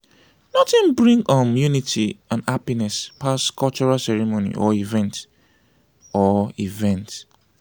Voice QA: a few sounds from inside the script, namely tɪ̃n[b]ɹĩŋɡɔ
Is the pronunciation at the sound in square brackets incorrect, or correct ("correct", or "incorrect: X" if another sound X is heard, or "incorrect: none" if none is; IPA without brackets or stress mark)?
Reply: correct